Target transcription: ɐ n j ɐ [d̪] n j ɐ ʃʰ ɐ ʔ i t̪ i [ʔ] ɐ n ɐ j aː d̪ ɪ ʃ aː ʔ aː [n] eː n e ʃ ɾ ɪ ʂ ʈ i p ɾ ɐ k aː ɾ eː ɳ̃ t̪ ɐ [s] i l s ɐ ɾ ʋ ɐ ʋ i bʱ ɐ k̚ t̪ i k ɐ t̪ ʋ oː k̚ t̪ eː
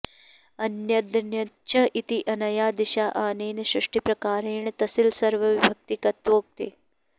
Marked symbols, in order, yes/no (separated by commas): yes, yes, yes, yes